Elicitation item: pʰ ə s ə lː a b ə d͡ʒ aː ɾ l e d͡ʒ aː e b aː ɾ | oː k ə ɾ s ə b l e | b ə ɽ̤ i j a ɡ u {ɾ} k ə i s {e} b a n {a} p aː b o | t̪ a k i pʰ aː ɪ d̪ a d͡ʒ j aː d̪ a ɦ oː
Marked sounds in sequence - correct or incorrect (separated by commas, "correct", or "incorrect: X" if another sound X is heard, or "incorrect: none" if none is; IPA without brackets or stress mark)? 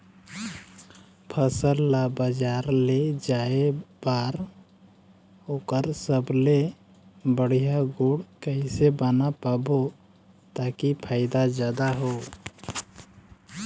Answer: incorrect: ɽ, correct, correct